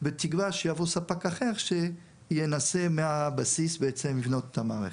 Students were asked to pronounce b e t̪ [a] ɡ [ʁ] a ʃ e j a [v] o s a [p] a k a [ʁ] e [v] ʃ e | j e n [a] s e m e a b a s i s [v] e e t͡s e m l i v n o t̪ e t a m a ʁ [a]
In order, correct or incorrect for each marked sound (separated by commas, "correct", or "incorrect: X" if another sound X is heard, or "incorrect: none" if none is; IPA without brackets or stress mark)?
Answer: incorrect: i, incorrect: v, correct, correct, incorrect: χ, incorrect: ʁ, correct, incorrect: b, incorrect: e